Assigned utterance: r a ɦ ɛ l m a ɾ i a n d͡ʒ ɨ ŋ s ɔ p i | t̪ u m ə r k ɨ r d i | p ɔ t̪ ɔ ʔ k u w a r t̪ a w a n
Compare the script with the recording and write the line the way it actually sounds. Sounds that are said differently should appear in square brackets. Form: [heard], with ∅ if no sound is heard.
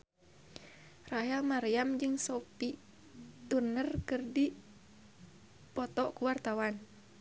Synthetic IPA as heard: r a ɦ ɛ l m a ɾ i a [m] d͡ʒ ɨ ŋ s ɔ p i | t̪ u [n] ə r k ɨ r d i | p ɔ t̪ ɔ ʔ k u w a r t̪ a w a n